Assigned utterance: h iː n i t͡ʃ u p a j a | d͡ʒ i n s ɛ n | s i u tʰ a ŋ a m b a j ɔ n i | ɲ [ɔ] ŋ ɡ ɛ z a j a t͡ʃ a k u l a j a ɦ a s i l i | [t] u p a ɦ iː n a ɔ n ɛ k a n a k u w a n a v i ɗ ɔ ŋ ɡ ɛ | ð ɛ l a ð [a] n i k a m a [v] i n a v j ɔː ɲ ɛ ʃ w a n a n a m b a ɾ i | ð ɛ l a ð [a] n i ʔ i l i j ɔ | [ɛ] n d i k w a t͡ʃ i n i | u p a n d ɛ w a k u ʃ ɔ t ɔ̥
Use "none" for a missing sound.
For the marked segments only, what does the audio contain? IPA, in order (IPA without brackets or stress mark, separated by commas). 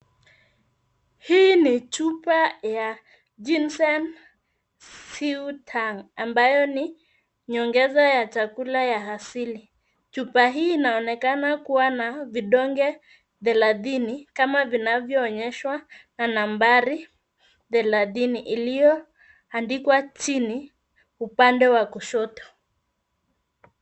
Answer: ɔ, t͡ʃ, i, v, i, a